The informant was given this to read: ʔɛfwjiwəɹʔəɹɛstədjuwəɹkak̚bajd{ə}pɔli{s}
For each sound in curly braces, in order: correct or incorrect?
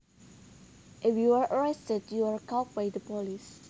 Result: correct, correct

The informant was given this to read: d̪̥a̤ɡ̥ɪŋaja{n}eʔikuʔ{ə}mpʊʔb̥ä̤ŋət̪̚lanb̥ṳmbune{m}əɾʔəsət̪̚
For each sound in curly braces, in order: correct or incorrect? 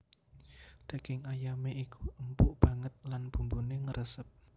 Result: incorrect: m, correct, incorrect: ŋ

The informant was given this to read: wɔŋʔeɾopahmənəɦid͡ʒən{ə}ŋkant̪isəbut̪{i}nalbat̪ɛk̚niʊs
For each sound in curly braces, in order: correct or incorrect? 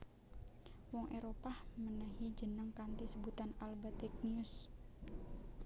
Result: correct, incorrect: a

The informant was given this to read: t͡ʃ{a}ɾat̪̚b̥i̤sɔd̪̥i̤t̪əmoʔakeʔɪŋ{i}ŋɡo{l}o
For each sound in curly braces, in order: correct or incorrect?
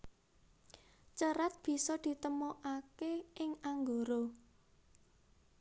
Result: incorrect: ə, incorrect: a, incorrect: ɾ

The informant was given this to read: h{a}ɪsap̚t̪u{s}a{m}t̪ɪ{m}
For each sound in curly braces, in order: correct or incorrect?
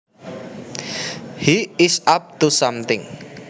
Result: incorrect: i, correct, correct, incorrect: ŋ

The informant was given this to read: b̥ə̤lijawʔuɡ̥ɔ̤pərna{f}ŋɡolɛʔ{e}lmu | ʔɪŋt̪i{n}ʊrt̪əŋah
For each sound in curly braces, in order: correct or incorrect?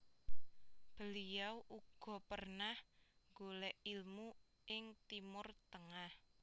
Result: incorrect: h, incorrect: i, incorrect: m

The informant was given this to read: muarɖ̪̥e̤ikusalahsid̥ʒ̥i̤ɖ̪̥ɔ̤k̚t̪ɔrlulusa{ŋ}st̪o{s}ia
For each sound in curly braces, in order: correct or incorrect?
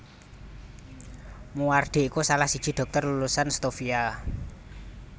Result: incorrect: n, incorrect: f

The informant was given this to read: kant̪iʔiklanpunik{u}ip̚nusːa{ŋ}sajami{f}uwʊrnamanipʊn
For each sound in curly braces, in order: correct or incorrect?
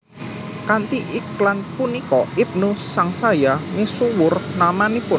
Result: incorrect: ɔ, correct, incorrect: s

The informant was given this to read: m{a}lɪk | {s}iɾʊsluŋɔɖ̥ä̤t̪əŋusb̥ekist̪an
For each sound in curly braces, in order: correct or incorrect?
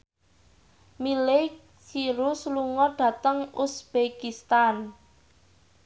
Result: incorrect: i, correct

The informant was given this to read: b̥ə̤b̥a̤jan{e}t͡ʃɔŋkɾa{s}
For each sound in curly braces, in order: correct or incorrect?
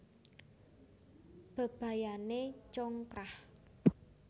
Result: correct, incorrect: h

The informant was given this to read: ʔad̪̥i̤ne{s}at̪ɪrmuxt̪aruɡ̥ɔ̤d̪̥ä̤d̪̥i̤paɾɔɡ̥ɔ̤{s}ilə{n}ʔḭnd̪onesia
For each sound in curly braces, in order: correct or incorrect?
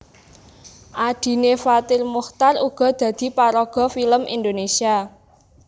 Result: incorrect: f, incorrect: f, incorrect: m

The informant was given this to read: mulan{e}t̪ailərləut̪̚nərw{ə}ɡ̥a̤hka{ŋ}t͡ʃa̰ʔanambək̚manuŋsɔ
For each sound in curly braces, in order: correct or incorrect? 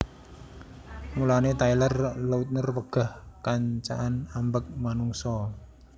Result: correct, correct, incorrect: ɲ

